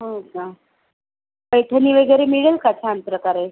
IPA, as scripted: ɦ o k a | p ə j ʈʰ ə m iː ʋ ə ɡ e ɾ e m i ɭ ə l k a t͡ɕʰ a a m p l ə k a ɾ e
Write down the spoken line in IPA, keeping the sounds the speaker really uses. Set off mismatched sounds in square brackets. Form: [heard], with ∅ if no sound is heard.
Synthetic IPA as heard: ɦ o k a | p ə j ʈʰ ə [n] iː ʋ ə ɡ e ɾ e m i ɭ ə l k a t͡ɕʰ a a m p [ɾ] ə k a ɾ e